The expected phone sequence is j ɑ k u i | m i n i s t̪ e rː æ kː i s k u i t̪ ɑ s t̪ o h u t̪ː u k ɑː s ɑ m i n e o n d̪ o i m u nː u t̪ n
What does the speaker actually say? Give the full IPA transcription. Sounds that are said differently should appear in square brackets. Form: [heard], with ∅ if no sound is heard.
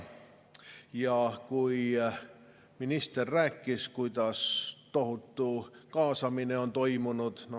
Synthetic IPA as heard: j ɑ k u i | m i n i s t̪ e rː æ kː i s k u i t̪ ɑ s t̪ o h u t̪ː u k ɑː s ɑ m i n e o n [t̪] o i m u [n] u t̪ n